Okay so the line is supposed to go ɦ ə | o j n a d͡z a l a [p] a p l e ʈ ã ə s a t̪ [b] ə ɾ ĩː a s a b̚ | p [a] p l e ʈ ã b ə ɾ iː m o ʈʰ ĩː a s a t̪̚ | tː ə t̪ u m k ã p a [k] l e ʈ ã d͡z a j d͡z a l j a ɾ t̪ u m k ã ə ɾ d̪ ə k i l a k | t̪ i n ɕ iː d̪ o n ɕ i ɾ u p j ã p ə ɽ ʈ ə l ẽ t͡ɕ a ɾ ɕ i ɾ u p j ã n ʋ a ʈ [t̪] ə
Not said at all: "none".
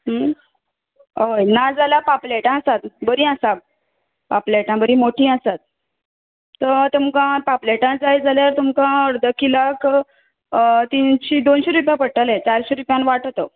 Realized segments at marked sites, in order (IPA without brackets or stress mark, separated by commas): p, b, a, p, t̪